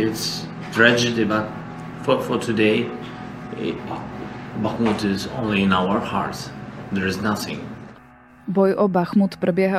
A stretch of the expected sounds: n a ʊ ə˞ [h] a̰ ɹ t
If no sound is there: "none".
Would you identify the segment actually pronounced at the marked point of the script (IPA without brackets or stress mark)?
h